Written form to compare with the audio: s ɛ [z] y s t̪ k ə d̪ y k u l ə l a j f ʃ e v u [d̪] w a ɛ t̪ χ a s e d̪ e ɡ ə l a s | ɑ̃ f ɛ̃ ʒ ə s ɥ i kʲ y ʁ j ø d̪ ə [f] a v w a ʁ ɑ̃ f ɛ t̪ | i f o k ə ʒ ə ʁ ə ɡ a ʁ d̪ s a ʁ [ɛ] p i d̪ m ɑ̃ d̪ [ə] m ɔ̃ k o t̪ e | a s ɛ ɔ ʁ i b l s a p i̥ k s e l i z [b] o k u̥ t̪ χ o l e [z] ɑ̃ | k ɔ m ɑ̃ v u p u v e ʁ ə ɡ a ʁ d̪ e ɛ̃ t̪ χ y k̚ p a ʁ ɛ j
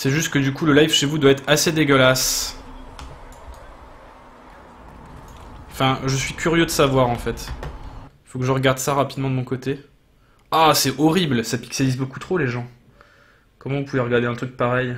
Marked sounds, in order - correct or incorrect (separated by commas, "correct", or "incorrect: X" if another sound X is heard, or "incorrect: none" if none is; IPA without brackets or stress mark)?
incorrect: ʒ, correct, incorrect: s, incorrect: a, correct, correct, incorrect: ʒ